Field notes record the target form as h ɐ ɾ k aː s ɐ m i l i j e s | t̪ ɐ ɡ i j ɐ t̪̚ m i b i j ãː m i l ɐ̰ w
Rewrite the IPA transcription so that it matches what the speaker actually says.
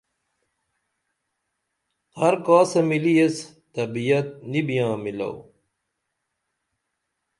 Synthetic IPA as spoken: h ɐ ɾ k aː s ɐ m i l i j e s | t̪ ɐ b i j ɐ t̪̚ n i b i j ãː m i l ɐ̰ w